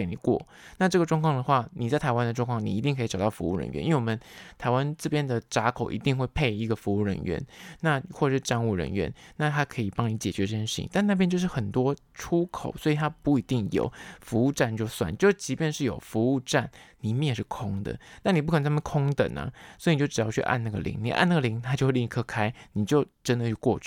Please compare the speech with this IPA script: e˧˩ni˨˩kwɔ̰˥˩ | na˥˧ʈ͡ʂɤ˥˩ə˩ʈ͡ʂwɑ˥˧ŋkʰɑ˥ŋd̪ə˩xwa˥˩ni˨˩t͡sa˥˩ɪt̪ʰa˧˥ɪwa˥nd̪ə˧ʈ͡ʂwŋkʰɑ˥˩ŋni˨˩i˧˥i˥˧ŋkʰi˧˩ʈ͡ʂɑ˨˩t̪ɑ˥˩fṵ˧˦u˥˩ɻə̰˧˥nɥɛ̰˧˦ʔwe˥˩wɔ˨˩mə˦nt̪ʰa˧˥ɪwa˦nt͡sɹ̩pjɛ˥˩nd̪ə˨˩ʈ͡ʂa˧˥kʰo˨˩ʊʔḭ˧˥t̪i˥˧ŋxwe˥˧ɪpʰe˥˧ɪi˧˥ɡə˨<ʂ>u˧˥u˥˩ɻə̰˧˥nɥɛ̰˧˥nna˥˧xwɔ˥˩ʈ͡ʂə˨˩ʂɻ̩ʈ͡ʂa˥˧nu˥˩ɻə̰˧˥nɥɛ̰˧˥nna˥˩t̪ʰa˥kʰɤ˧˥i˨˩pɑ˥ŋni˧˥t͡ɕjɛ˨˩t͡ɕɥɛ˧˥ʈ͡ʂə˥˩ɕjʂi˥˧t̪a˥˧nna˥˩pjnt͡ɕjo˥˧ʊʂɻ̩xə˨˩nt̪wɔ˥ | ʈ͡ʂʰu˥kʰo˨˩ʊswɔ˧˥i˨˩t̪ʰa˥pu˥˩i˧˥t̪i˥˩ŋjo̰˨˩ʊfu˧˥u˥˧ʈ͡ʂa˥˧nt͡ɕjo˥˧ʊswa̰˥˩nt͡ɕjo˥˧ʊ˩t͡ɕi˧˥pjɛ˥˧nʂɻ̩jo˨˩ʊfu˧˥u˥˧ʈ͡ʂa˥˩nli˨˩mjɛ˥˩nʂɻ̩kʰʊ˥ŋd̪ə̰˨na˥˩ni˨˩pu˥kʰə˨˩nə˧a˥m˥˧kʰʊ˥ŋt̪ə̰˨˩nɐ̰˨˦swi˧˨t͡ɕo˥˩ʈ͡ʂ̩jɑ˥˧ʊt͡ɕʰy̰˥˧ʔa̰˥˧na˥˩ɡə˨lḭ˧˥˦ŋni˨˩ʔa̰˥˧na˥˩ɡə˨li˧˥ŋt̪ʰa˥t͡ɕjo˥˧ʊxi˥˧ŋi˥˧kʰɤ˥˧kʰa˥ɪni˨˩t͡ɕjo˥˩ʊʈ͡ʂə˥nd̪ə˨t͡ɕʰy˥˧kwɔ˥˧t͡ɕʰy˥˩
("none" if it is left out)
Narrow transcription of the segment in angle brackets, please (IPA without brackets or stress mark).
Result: f